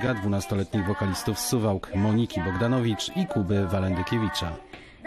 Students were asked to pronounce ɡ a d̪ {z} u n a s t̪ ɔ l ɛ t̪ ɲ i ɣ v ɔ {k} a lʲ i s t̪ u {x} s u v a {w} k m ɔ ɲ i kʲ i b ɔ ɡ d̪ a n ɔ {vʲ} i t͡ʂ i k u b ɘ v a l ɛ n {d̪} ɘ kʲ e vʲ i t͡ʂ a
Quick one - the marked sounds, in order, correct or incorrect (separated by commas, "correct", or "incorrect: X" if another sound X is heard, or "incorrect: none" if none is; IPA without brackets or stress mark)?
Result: incorrect: v, correct, incorrect: f, correct, correct, correct